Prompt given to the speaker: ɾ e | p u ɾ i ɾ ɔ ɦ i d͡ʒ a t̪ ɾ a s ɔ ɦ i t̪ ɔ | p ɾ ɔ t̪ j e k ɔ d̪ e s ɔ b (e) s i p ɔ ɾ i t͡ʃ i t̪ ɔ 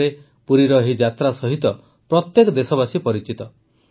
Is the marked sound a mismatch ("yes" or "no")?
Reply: yes